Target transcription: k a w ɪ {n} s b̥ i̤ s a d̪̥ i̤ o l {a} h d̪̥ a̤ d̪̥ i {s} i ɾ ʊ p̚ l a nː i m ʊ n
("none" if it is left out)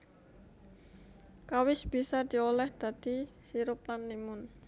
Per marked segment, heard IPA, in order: none, ɛ, s

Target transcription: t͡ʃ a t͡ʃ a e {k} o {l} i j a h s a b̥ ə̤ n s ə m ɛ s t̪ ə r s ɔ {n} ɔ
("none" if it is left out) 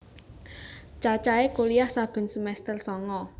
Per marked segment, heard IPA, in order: k, l, ŋ

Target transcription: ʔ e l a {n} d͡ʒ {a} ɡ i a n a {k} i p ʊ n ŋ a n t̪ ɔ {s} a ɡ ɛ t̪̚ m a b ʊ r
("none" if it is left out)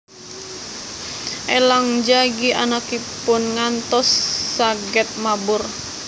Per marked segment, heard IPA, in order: ŋ, a, k, sː

